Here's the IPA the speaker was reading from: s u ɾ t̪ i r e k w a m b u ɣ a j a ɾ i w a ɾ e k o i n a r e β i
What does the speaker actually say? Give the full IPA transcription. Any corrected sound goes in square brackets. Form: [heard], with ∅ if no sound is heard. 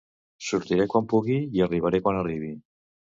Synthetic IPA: s u ɾ t̪ i [ɾ] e k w a m [p] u ɣ [i] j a [r] i [β] a ɾ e k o [a] n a r [i] β i